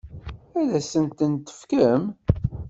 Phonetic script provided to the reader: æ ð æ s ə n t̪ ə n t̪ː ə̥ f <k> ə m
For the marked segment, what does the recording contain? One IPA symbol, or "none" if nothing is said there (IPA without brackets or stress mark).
k